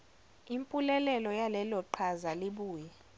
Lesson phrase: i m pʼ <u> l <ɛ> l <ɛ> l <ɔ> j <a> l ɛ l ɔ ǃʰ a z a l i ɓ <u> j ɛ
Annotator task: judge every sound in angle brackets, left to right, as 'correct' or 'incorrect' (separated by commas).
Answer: correct, correct, correct, correct, correct, incorrect